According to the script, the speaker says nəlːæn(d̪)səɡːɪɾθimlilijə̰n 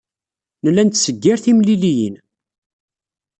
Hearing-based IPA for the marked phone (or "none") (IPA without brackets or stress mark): t̪